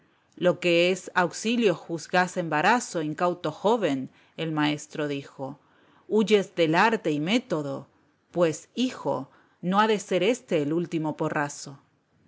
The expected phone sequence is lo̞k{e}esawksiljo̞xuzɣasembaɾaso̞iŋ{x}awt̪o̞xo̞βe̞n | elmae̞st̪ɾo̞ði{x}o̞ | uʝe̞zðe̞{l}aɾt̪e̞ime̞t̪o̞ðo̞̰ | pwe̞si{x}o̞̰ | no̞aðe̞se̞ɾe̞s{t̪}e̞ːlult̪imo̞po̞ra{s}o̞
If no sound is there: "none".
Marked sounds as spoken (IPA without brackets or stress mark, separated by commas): e, k, x, l, x, t̪, s